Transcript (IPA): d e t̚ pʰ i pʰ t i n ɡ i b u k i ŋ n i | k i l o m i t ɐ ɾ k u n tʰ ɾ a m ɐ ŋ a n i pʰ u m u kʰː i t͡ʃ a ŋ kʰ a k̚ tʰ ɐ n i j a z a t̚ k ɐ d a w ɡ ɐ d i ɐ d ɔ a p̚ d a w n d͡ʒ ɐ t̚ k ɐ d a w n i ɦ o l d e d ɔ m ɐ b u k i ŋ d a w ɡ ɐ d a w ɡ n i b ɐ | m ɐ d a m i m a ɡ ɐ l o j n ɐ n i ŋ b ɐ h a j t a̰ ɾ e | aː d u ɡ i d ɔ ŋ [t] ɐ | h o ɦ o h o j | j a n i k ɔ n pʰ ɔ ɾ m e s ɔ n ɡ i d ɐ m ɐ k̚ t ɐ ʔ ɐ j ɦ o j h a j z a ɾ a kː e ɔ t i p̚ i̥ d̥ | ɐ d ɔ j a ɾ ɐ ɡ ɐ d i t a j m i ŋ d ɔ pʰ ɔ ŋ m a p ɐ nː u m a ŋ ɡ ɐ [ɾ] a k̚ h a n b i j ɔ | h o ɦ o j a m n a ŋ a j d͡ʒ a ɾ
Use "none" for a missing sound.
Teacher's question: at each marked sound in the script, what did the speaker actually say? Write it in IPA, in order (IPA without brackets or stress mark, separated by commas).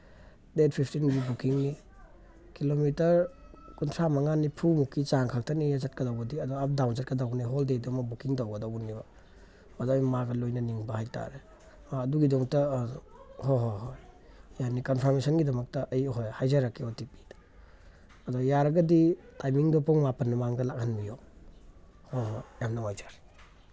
t, l